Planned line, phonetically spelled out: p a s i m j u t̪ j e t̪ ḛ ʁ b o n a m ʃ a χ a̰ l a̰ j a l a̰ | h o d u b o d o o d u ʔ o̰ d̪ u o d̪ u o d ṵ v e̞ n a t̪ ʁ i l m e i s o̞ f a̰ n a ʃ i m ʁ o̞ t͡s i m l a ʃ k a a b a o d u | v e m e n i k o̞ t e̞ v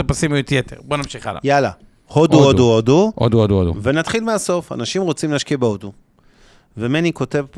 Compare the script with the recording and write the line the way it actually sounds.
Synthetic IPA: p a s i m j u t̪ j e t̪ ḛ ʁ b o n a m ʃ i χ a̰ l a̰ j a l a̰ | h o d u o d u o d u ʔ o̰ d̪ u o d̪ u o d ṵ v e̞ n a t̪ χ i l m e a s o̞ f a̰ n a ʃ i m ʁ o̞ t͡s i m l a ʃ k i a b e o d u | v e m e n i k o̞ t e̞ v